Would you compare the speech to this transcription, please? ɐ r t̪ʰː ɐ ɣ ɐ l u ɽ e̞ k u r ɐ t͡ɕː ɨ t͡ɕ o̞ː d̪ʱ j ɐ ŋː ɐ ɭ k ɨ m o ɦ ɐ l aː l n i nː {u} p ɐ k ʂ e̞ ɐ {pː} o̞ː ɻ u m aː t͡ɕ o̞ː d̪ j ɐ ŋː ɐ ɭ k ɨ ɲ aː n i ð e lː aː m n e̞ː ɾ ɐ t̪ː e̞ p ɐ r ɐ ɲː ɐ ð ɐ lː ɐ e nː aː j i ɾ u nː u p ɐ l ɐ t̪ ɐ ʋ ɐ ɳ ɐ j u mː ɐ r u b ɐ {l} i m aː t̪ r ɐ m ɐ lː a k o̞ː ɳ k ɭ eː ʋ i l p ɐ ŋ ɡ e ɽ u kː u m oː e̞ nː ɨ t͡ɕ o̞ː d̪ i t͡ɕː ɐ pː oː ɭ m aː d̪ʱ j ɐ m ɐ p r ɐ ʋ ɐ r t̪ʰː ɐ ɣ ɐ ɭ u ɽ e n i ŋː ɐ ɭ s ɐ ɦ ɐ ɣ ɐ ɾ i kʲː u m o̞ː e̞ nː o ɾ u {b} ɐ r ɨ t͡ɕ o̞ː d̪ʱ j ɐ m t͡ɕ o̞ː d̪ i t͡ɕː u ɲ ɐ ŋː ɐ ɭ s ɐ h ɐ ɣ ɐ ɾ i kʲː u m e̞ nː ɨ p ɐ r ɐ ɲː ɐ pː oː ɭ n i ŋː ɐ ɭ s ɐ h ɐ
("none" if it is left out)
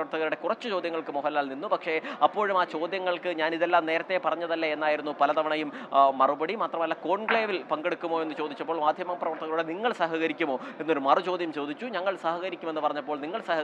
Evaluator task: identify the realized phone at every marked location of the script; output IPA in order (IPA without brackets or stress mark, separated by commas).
u, pː, ɽ, m